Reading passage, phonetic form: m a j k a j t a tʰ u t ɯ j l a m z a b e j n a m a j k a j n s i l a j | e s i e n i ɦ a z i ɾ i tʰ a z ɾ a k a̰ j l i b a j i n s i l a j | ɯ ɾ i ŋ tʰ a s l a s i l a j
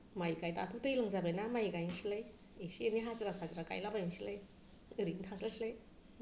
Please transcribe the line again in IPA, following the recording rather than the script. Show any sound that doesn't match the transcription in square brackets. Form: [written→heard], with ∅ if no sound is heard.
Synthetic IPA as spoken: m a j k a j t a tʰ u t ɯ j l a [m→ŋ] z a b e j n a m a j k a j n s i l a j | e s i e n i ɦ a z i ɾ [i→a] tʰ a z ɾ a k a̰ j l [i→a] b a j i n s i l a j | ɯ ɾ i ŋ tʰ a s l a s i l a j

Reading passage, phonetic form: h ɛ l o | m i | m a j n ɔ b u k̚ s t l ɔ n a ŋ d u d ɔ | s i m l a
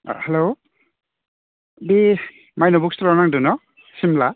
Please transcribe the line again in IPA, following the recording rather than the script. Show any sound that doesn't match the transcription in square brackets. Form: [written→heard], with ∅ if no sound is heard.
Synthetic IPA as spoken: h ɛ l o | [m→b] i | m a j n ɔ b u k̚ s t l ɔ n a ŋ d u [d→n] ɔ | s i m l a

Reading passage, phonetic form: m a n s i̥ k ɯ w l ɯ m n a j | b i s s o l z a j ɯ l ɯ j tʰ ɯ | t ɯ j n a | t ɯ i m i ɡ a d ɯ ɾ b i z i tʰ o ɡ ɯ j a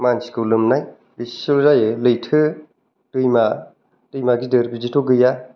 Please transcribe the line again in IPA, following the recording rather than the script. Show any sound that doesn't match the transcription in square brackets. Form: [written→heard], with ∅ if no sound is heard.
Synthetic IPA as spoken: m a n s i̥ k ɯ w l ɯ m n a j | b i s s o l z a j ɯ l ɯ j tʰ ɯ | t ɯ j [n→m] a | t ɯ [i→j] m [i→a] ɡ [a→i] d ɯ ɾ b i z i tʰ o ɡ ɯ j a

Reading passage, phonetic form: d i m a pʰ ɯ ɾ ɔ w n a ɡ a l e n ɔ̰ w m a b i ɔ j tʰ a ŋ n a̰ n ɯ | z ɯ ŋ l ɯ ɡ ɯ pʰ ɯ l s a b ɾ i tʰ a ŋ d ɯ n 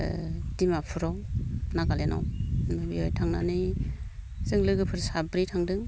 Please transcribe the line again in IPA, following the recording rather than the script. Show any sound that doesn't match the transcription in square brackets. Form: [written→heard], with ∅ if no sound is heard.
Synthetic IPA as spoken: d i m a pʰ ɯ ɾ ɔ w n a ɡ a l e n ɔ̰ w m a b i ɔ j tʰ a ŋ n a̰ n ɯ | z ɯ ŋ l ɯ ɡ ɯ pʰ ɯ [l→ɾ] s a b ɾ i tʰ a ŋ d ɯ [n→ŋ]

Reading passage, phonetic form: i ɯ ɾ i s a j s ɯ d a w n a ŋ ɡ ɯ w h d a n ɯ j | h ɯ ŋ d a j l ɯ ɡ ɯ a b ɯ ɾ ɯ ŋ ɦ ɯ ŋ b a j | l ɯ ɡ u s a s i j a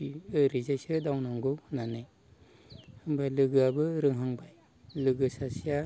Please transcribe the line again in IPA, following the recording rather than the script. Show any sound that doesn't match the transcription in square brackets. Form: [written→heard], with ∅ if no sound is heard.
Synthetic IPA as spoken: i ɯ ɾ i [s→z] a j s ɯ d a w n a ŋ ɡ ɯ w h [d→n] a n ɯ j | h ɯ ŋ [d→b] a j l ɯ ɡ ɯ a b ɯ ɾ ɯ ŋ ɦ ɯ ŋ b a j | l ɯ ɡ [u→ɯ] s a s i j a

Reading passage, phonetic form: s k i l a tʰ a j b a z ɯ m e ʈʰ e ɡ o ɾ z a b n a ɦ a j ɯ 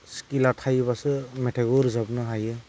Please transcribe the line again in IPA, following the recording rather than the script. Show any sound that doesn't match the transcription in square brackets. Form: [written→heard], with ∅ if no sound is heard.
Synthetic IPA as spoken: s k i l a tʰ a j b a [z→s] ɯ m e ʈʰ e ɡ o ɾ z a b n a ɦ a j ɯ

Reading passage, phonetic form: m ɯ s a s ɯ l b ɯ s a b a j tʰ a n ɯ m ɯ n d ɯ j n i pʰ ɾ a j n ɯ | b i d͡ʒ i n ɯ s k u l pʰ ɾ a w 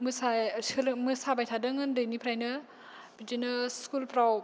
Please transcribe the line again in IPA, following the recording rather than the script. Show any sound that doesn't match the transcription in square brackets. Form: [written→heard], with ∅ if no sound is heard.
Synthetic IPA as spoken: m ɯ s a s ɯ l [b→m] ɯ s a b a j tʰ a [n→d] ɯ [m→ŋ] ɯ n d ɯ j n i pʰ ɾ a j n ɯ | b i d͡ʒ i n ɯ s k u l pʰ ɾ a w

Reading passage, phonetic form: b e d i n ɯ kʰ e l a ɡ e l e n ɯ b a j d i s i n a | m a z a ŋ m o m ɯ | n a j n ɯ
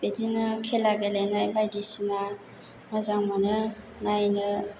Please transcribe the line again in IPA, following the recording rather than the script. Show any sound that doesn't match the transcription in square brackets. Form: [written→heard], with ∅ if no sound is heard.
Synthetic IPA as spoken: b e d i n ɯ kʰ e l a ɡ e l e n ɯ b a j d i s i n a | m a z a ŋ m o [m→n] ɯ | n a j n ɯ

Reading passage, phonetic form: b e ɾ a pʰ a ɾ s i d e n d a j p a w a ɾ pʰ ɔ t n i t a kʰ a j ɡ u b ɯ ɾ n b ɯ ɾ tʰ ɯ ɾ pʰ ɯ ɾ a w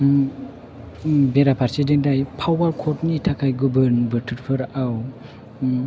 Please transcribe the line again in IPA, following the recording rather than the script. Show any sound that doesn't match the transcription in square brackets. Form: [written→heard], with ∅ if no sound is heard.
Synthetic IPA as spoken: b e ɾ a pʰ a ɾ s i d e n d a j [p→pʰ] a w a ɾ [pʰ→kʰ] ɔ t n i [t→tʰ] a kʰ a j ɡ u b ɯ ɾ n b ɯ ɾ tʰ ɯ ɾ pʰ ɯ ɾ a w

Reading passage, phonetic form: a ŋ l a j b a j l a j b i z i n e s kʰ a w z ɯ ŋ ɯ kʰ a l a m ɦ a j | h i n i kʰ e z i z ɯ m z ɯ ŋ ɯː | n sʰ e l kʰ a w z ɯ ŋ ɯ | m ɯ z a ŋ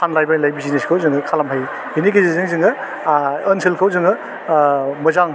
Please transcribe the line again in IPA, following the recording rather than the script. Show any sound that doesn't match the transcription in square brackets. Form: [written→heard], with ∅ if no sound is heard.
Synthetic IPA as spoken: a [ŋ→n] l a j b a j l a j b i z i n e s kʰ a w z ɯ ŋ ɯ kʰ a l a m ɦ a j | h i n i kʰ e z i z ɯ [m→ŋ] z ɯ ŋ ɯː | n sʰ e l kʰ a w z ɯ ŋ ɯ | m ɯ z a ŋ

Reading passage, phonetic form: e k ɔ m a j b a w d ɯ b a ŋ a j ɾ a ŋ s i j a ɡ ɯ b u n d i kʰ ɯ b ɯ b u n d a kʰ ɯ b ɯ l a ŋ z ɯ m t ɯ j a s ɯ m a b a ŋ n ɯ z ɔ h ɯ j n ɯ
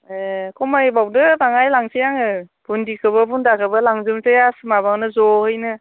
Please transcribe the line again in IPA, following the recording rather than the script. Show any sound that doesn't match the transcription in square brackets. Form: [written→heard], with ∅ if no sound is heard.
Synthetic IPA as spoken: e k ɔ m a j b a w d ɯ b a ŋ a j [ɾ→l] a ŋ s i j a [ɡ→ŋ] ɯ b u n d i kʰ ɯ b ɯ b u n d a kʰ ɯ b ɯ l a ŋ z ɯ m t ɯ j a s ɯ m a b a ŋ n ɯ z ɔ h ɯ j n ɯ

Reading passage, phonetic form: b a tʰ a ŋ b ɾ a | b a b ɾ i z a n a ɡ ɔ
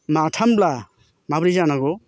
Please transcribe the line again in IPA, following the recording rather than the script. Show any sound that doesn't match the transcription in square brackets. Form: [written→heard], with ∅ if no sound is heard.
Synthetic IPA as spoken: [b→m] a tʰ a [ŋ→m] b [ɾ→l] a | [b→m] a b ɾ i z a n a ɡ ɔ

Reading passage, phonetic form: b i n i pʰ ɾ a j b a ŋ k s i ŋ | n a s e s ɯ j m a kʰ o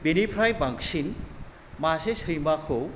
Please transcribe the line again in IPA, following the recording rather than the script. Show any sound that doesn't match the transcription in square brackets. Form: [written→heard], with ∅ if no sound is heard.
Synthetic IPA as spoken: b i n i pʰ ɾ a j b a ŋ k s i [ŋ→n] | [n→m] a s e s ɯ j m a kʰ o

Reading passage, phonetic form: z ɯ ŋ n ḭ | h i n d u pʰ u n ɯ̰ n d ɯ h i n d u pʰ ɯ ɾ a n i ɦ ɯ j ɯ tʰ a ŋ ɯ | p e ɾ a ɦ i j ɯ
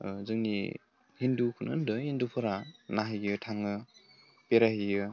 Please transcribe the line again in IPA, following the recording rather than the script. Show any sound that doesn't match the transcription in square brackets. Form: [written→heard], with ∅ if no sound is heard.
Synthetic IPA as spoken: z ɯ ŋ n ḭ | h i n d u [pʰ→kʰ] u n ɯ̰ n d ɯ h i n d u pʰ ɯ ɾ a n [i→a] ɦ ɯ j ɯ tʰ a ŋ ɯ | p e ɾ a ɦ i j ɯ

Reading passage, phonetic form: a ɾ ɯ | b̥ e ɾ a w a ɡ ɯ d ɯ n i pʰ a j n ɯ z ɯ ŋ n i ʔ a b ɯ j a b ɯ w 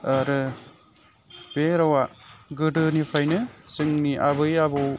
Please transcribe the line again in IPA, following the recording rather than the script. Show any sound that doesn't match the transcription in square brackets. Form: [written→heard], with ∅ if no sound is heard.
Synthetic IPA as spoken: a ɾ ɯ | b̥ e ɾ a w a ɡ ɯ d ɯ n i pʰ a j n ɯ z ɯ ŋ n i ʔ a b ɯ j a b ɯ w

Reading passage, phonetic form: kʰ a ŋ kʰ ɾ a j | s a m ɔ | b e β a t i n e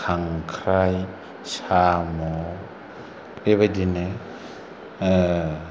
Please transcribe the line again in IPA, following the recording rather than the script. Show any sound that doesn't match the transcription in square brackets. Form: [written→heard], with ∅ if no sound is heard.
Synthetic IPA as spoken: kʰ a ŋ kʰ ɾ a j | s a m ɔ | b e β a [t→d] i n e

